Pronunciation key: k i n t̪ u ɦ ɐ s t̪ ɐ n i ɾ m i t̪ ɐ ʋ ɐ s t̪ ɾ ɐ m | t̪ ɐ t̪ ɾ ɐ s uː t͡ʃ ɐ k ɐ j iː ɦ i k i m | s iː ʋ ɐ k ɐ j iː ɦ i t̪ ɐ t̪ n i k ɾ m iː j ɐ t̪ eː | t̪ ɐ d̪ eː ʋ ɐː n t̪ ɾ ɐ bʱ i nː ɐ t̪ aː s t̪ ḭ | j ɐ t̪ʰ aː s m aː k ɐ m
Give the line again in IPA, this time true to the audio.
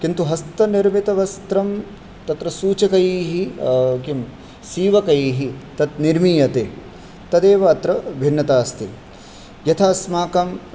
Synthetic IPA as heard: k i n t̪ u ɦ ɐ s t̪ ɐ n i ɾ m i t̪ ɐ ʋ ɐ s t̪ ɾ ɐ m | t̪ ɐ t̪ ɾ ɐ s uː t͡ʃ ɐ k ɐ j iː ɦ i k i m | s iː ʋ ɐ k ɐ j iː ɦ i t̪ ɐ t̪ n i ɾ m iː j ɐ t̪ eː | t̪ ɐ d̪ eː ʋ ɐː t̪ ɾ ɐ bʱ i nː ɐ t̪ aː s t̪ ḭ | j ɐ t̪ʰ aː s m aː k ɐ m